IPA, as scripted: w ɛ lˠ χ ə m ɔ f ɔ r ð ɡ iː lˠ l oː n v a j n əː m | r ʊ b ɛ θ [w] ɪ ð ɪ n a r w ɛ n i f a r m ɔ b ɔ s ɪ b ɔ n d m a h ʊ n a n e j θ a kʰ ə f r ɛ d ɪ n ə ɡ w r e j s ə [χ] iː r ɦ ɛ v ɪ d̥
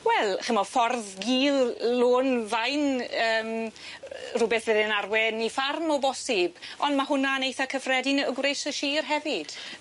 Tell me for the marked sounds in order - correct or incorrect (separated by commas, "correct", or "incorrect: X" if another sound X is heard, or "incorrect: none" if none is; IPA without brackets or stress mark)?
incorrect: v, incorrect: ʃ